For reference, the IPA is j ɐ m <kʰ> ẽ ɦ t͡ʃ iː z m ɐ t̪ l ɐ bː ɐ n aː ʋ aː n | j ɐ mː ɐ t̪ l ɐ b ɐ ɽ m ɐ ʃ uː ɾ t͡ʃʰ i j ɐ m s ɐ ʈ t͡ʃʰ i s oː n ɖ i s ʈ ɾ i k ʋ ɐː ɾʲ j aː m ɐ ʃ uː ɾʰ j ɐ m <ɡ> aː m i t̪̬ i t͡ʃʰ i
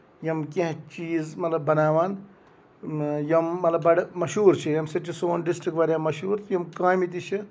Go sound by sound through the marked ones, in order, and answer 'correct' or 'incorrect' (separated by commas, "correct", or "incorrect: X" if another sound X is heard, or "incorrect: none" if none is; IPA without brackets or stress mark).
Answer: incorrect: k, incorrect: k